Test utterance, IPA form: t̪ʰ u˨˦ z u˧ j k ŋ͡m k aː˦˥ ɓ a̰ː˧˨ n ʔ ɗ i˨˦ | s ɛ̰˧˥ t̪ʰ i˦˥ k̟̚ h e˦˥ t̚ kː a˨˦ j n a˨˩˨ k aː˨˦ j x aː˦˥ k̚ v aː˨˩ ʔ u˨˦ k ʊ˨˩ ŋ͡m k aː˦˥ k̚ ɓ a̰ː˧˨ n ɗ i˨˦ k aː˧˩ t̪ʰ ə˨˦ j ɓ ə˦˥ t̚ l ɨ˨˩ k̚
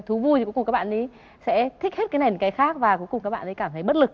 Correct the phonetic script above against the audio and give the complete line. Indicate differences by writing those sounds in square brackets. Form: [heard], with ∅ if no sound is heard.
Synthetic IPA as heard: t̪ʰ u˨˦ [v] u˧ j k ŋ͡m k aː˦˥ ɓ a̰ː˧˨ n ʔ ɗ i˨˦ | s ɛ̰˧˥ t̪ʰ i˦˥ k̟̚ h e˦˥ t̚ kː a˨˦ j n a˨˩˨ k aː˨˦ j x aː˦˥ k̚ v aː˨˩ [k] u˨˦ k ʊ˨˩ ŋ͡m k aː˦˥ k̚ ɓ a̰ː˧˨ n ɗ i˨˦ k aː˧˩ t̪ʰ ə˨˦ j ɓ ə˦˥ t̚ l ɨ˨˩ k̚